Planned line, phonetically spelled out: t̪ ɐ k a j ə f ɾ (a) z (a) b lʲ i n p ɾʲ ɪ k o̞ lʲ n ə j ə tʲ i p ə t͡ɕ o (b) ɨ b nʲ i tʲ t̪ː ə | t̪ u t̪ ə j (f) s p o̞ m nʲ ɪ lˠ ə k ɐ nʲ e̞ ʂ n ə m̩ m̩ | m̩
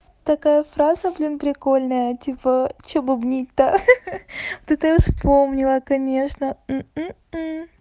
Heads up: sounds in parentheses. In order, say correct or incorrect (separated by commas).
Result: correct, incorrect, correct, correct